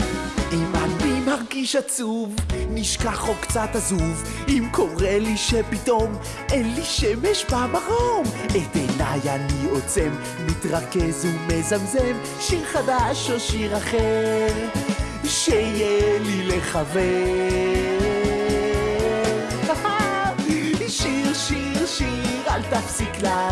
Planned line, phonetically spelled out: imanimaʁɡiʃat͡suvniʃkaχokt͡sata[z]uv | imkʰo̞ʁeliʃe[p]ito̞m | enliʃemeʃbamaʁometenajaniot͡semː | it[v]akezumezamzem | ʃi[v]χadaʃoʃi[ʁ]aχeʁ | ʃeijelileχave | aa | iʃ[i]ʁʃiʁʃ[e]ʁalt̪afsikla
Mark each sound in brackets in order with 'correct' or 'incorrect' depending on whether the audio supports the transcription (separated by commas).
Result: correct, correct, incorrect, incorrect, correct, correct, incorrect